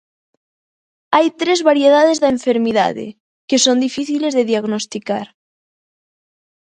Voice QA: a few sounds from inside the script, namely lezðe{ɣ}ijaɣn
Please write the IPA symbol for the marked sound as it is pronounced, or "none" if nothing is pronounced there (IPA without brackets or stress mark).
ð